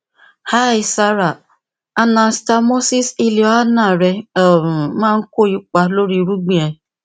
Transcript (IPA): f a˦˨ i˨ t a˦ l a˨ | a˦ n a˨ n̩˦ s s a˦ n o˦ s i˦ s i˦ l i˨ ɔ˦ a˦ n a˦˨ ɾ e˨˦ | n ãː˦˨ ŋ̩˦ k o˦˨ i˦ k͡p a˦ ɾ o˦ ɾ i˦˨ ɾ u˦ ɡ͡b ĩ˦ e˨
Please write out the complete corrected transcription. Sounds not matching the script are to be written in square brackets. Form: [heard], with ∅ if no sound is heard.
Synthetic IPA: [h] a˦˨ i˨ [s] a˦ [ɾ] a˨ | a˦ n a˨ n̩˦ s [t] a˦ [m] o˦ s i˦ s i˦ l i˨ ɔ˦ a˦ n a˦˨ ɾ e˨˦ | [m] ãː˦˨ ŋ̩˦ k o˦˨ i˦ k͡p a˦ [l] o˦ ɾ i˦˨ ɾ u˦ ɡ͡b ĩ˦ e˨